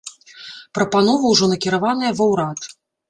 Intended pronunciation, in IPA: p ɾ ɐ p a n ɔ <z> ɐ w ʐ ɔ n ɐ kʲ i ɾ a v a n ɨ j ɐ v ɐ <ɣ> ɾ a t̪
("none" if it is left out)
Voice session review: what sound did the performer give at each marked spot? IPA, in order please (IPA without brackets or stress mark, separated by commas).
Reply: v, w